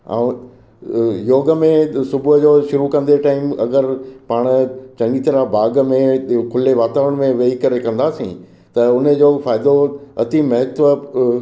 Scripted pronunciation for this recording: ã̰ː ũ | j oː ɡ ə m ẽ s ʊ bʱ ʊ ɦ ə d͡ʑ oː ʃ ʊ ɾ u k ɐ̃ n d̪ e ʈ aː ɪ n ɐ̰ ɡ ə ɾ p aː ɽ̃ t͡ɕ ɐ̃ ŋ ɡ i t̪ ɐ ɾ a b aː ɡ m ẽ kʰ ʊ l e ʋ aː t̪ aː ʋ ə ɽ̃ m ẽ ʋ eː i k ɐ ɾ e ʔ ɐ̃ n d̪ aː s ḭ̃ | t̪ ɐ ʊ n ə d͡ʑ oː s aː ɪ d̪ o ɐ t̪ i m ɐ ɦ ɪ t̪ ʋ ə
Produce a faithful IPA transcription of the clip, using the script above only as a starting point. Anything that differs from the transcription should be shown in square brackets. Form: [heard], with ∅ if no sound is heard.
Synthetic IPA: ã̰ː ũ | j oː ɡ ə m ẽ s ʊ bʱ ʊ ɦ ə d͡ʑ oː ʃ ʊ ɾ u k ɐ̃ n d̪ e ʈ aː ɪ [m] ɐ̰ ɡ ə ɾ p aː ɽ̃ t͡ɕ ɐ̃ ŋ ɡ i t̪ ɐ ɾ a b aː ɡ m ẽ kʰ ʊ l e ʋ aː t̪ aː ʋ ə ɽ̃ m ẽ ʋ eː i k ɐ ɾ e [k] ɐ̃ n d̪ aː s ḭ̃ | t̪ ɐ ʊ n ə d͡ʑ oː [f] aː ɪ d̪ o ɐ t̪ i m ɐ ɦ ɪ t̪ ʋ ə